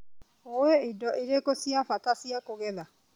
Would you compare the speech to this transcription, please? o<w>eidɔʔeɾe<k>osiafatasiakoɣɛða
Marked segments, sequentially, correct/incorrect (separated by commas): correct, correct